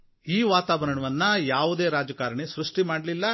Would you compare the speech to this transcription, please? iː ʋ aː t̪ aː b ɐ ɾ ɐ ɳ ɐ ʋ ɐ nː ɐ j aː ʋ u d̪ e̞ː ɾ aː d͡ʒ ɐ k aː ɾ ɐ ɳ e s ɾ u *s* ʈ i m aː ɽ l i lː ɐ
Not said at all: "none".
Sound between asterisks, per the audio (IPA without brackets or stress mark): ʂ